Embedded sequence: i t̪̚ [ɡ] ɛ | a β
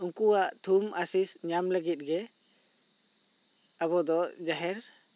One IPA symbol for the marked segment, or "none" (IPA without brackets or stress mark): ɡ